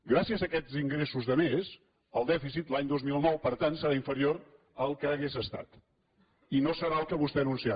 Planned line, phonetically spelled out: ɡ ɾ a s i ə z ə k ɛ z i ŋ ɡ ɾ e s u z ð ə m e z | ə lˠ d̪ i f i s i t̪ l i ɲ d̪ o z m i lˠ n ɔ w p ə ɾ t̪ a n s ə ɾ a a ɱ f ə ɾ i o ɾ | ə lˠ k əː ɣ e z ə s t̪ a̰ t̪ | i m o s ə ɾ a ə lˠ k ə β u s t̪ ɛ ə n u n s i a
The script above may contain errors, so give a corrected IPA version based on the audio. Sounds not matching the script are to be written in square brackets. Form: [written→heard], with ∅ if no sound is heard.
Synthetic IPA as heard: ɡ ɾ a s i ə z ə k ɛ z i ŋ ɡ ɾ e s u z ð ə m e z | ə lˠ d̪ [i→ɛ] f i s i t̪ l [i→a] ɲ d̪ o z m i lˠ n ɔ w p ə ɾ t̪ a n s ə ɾ a [a→i] ɱ f ə ɾ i o ɾ | ə lˠ k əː ɣ e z ə s t̪ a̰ t̪ | i [m→n] o s ə ɾ a ə lˠ k ə β u s t̪ ɛ ə n u n s i a

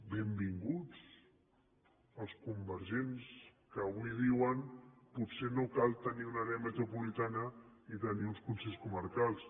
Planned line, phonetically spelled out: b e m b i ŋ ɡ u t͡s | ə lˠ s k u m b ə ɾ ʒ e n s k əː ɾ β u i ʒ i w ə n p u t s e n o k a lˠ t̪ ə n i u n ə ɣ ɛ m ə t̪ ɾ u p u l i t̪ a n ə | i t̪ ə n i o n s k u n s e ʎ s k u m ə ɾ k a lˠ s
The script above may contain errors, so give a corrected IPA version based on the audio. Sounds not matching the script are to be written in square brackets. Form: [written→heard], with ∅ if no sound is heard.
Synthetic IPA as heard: b e m b i ŋ ɡ u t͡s | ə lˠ s k u m b ə ɾ ʒ e n s k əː [ɾ→∅] β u i [ʒ→ð] i w ə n p u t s e n o k a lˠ t̪ ə n i u n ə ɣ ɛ m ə t̪ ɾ u p u l i t̪ a n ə | i t̪ ə n i [o→u] n s k u n s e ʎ s k u m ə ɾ k a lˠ s

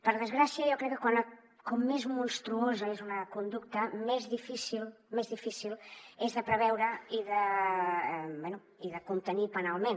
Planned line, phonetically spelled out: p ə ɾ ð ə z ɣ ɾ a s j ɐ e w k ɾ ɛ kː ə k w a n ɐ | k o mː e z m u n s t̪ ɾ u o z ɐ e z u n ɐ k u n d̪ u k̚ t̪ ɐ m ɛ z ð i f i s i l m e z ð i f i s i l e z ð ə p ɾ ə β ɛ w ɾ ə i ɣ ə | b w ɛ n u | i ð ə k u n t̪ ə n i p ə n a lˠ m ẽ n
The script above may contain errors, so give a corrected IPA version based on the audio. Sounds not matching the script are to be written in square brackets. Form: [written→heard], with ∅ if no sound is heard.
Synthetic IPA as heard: p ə ɾ ð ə z ɣ ɾ a s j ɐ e w k ɾ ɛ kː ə k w a n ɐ | k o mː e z m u n s t̪ ɾ u o z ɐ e z u n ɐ k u n d̪ u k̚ t̪ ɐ m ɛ z ð i f i s i l m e z ð i f i s i l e z ð ə p ɾ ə β ɛ w ɾ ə i [ɣ→ð] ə | b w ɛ n u | i ð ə k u n t̪ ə n i p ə n a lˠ m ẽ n

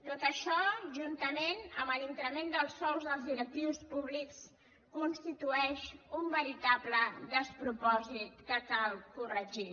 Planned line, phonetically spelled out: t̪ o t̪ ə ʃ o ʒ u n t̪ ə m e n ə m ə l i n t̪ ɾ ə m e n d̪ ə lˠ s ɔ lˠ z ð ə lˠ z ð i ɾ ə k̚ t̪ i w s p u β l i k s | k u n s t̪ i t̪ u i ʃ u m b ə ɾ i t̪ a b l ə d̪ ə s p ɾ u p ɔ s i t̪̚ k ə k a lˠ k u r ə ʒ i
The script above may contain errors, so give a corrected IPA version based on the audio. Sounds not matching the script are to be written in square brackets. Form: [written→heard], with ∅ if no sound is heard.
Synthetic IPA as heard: t̪ o t̪ ə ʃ [o→ɔ] ʒ u n t̪ ə m e n ə m ə l i n t̪ ɾ ə m e n d̪ ə lˠ s ɔ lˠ z ð ə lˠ z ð i ɾ ə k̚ t̪ i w s p u β l i k s | k u n s t̪ i t̪ u [i→ɛ] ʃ u m b ə ɾ i t̪ a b l ə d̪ ə s p ɾ u p ɔ [s→z] i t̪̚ k ə k a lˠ k u r ə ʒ i

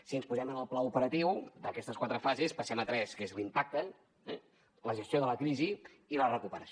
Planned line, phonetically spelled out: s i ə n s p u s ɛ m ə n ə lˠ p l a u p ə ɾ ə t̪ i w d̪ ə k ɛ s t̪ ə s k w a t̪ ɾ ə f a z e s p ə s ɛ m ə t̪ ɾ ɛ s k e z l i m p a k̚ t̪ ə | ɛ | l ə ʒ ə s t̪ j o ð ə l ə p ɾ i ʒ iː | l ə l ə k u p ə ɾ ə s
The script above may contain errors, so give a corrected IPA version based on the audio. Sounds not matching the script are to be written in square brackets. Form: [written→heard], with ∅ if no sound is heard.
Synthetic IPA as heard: s i ə n s p u [s→z] ɛ m ə n ə lˠ p l a u p ə ɾ ə t̪ i w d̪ ə k ɛ s t̪ ə s k w a t̪ ɾ ə f a z e s p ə s ɛ m ə t̪ ɾ ɛ s k e z l i m p a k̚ t̪ ə | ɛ | l ə ʒ ə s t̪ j o ð ə l ə [p→k] ɾ i [ʒ→z] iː | l ə [l→r] ə k u p ə ɾ ə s

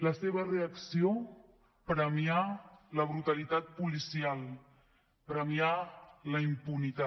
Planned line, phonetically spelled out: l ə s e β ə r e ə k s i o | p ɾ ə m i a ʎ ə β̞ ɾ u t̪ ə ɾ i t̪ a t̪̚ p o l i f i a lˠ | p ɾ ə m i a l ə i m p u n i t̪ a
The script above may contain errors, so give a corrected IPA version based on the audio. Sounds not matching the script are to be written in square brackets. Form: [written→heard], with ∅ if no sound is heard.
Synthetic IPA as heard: l ə s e β ə r e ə k s i o | p ɾ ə m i a [ʎ→l] ə β̞ ɾ u t̪ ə [ɾ→l] i t̪ a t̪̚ p [o→u] l i [f→s] i a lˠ | p ɾ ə m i a l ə i m p u n i t̪ a

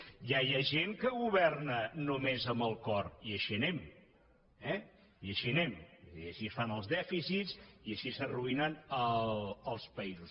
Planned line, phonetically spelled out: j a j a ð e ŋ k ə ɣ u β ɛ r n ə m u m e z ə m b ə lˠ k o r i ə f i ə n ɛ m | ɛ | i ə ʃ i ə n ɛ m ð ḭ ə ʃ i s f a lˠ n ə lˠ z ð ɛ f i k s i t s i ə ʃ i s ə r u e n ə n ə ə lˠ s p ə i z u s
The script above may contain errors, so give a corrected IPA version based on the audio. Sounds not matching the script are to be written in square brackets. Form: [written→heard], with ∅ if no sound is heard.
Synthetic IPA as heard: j a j a [ð→ʒ] e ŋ k ə ɣ u β ɛ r n ə [m→n] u m e z ə m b ə lˠ k [o→ɔ] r i ə [f→ʃ] i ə n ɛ m | ɛ | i ə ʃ i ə n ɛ m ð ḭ ə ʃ i s f a [lˠ→∅] n ə lˠ z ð ɛ f i [k→∅] s i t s i ə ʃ i s ə r u [e→i] n ə n ə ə lˠ s p ə i z u s

